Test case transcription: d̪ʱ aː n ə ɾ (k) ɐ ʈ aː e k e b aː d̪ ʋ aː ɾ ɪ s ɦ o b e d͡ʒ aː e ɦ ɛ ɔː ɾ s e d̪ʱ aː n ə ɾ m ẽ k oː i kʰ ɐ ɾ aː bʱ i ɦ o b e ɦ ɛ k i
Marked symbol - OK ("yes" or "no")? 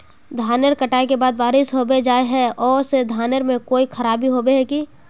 yes